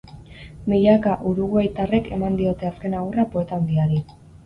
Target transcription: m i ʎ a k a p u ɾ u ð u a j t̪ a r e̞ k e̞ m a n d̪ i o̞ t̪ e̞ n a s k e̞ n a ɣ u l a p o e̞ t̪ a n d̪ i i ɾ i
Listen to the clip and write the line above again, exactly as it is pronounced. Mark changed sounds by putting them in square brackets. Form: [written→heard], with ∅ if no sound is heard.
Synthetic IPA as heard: m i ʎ a k a [p→ʔ] u ɾ u [ð→ɣ] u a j t̪ a r e̞ k e̞ m a n d̪ i o̞ t̪ e̞ [n→∅] a s k e̞ n a ɣ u [l→r] a p o e̞ t̪ a n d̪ i [i→a] ɾ i